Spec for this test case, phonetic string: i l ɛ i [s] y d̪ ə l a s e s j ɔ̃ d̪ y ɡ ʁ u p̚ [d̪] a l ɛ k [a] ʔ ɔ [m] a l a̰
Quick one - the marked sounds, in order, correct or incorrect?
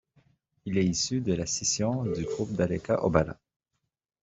correct, correct, correct, incorrect: b

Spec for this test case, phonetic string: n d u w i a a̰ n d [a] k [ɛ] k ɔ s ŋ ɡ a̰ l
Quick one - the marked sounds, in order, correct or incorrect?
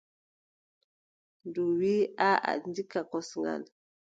incorrect: i, incorrect: a

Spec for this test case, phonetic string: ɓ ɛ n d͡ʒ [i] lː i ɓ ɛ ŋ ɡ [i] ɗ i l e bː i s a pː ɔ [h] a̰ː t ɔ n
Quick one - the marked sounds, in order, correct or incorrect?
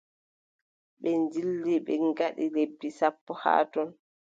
correct, incorrect: a, correct

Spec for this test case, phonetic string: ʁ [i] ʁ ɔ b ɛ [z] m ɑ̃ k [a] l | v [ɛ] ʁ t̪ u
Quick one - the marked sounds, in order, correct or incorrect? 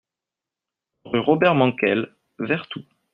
incorrect: y, incorrect: ʁ, incorrect: ɛ, correct

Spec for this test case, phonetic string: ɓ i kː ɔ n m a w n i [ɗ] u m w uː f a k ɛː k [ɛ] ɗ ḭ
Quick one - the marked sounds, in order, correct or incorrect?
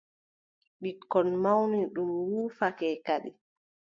correct, incorrect: a

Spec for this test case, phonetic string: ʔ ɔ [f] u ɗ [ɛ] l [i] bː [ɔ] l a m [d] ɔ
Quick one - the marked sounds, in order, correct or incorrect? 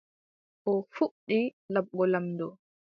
correct, incorrect: i, incorrect: a, correct, correct

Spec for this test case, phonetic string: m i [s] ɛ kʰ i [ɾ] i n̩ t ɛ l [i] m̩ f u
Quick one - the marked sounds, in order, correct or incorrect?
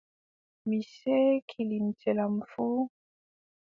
correct, incorrect: l, incorrect: a

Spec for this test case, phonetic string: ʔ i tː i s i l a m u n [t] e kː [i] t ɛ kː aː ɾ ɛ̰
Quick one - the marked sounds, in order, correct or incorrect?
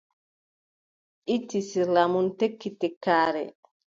correct, correct

